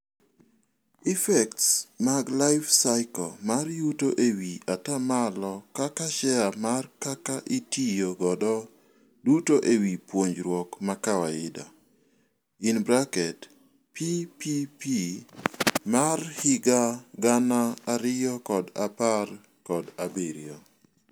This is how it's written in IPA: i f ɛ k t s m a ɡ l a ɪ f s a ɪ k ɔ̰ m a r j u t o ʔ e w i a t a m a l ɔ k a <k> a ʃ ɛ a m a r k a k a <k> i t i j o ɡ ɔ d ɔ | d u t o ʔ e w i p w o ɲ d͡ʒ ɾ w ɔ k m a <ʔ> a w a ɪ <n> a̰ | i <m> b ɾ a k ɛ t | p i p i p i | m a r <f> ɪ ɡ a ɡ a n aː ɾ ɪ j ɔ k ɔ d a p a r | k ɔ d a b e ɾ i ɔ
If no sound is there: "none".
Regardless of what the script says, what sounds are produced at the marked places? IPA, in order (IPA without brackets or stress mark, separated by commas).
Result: k, ʔ, k, d, n, h